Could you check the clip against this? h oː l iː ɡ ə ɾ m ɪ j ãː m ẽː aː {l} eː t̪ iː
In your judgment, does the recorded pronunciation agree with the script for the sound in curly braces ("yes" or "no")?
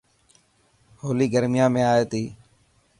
no